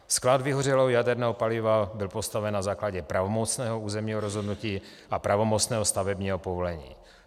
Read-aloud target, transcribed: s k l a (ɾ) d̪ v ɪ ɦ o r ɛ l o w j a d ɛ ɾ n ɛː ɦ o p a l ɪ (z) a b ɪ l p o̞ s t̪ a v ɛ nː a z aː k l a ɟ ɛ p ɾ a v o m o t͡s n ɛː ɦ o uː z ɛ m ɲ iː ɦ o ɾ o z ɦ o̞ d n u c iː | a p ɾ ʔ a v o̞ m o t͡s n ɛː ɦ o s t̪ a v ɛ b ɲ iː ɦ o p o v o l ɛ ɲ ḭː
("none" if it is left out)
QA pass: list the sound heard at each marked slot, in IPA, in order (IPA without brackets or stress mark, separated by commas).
none, v